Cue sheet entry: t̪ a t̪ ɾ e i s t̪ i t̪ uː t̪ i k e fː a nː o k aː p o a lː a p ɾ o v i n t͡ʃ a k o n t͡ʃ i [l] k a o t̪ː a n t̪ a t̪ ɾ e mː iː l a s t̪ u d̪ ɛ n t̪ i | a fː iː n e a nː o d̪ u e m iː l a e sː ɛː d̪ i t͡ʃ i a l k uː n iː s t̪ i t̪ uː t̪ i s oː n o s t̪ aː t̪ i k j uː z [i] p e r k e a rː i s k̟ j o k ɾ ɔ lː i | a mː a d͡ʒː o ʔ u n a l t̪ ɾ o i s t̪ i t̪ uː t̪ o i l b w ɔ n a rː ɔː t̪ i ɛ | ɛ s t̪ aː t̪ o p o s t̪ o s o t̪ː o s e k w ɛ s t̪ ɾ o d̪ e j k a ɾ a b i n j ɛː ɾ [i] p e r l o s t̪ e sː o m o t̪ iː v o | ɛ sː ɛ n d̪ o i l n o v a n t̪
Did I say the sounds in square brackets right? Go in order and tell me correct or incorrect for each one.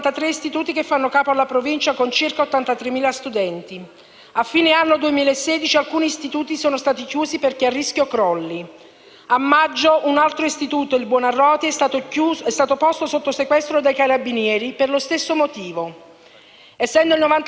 incorrect: r, correct, correct

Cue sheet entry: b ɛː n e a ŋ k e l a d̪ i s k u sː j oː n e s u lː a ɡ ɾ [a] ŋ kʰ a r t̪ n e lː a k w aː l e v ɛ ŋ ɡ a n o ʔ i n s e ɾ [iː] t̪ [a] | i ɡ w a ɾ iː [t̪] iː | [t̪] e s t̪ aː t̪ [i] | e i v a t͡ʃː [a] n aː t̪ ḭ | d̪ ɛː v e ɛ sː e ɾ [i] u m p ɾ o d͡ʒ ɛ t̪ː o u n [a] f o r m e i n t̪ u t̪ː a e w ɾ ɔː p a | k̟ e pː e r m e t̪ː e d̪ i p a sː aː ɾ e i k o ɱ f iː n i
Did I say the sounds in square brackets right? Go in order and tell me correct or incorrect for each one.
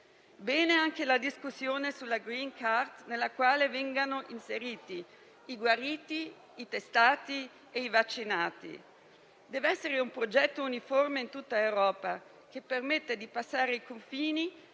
incorrect: i, correct, incorrect: i, correct, correct, correct, incorrect: i, incorrect: e, incorrect: i

